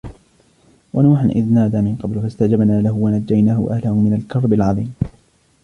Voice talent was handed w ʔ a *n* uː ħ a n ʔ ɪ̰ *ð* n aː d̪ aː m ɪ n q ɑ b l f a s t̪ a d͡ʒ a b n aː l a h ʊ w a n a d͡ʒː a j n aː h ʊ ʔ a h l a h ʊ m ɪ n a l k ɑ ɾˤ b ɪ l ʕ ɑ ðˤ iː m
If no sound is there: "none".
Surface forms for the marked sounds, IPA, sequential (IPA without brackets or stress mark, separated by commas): n, ð